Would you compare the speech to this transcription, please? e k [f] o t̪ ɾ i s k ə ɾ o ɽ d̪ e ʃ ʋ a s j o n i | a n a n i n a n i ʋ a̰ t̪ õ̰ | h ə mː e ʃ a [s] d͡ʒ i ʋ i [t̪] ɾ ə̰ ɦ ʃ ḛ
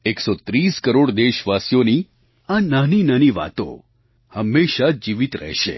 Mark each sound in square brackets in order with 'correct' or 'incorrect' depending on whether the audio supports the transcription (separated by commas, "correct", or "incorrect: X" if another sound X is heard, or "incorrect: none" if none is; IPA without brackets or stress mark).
incorrect: s, incorrect: none, correct